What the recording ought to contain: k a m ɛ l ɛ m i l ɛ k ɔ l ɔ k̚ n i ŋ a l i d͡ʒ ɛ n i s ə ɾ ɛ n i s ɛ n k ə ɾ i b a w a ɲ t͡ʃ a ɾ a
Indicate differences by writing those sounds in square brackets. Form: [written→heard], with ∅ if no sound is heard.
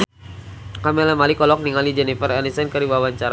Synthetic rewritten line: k a m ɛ l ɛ m [i→a] l [ɛ→i] k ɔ l ɔ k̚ n i ŋ a l i d͡ʒ ɛ n i [s→f] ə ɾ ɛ n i s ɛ n k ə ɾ i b a w a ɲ t͡ʃ a ɾ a